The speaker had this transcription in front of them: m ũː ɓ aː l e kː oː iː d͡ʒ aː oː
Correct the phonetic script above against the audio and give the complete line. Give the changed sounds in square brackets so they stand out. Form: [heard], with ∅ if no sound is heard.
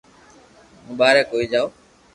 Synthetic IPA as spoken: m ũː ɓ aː [ɾ] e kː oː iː d͡ʒ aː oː

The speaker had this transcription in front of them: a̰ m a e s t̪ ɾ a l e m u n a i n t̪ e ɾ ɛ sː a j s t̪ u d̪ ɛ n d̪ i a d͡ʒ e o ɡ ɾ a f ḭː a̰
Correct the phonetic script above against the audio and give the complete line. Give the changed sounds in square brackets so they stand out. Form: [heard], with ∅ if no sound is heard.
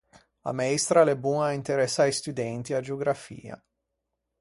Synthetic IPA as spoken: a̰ m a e s t̪ ɾ a l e [b] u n a i n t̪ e ɾ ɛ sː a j s t̪ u d̪ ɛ n [t̪] i a d͡ʒ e o ɡ ɾ a f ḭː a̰

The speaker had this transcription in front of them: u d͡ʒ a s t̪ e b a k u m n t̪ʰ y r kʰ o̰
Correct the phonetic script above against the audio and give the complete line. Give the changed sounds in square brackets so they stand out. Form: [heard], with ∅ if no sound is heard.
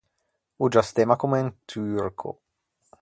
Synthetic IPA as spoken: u d͡ʒ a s t̪ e [m] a k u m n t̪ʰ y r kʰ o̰

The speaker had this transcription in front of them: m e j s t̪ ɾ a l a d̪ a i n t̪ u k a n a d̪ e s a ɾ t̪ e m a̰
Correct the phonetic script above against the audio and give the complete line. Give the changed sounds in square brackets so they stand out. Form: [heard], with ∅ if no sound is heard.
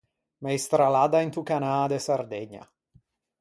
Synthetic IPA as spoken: m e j s t̪ ɾ a l a d̪ a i n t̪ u k a n a d̪ e s a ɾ [d̪] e [ɲ] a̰

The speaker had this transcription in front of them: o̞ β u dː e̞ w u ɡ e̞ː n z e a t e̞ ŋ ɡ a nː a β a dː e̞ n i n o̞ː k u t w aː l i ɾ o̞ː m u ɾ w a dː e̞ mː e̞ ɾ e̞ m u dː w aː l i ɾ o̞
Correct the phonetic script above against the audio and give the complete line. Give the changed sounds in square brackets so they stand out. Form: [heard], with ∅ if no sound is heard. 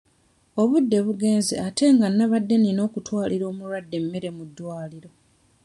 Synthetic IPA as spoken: o̞ β u dː e̞ [β] u ɡ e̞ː n z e a t e̞ ŋ ɡ a nː a β a dː e̞ n i n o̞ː k u t w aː l i ɾ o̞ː m u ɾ w a dː e̞ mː e̞ ɾ e̞ m u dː w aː l i ɾ o̞

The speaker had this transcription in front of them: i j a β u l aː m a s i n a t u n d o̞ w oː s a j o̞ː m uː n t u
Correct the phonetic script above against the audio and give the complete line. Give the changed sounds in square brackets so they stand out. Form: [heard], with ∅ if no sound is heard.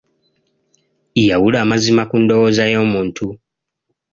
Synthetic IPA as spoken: i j a [w] u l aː m a [z] i [m] a [k] u n d o̞ w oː [z] a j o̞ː m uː n t u

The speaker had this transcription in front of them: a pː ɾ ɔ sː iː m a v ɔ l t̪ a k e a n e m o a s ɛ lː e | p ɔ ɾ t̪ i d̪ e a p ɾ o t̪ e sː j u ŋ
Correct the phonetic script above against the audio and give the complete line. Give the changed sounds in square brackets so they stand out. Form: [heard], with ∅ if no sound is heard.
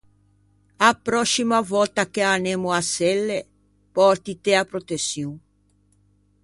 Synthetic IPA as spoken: a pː ɾ ɔ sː [i] m a v ɔ l t̪ a k e a n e m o a s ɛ lː e | p ɔ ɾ t̪ i [t̪] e a p ɾ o t̪ e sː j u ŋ

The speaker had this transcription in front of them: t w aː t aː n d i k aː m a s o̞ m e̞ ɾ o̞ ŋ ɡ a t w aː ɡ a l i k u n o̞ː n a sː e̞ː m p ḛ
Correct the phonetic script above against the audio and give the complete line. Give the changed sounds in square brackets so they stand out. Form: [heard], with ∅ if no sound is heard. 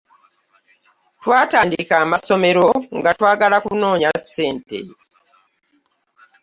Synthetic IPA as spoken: t w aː t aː n d i k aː m a s o̞ m e̞ ɾ o̞ ŋ ɡ a t w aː ɡ a l [a] k u n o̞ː [ɲ] a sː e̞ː m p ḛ

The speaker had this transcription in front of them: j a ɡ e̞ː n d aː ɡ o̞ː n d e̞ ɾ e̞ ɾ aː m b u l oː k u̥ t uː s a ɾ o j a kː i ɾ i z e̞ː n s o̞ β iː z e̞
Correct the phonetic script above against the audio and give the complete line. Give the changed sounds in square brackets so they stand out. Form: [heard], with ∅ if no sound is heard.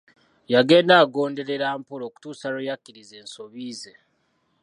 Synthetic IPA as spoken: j a ɡ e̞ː n d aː ɡ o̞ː n d e̞ ɾ e̞ ɾ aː m [p] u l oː k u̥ t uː s a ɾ o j a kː i ɾ i z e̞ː n s o̞ β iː z e̞

